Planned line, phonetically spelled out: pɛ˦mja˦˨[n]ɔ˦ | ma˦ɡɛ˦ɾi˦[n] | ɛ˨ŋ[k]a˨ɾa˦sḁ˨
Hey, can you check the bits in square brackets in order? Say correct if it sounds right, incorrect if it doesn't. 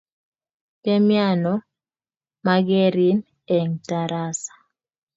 correct, correct, incorrect

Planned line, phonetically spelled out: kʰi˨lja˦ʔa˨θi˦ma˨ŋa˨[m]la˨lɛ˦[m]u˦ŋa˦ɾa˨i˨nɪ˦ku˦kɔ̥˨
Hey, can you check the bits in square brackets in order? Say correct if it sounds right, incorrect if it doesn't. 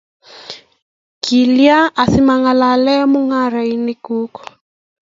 incorrect, correct

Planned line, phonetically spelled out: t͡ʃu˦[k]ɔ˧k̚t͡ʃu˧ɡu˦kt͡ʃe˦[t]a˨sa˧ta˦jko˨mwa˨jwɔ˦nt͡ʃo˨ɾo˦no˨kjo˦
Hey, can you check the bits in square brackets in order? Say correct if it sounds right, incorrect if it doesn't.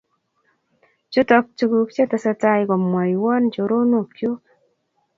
incorrect, correct

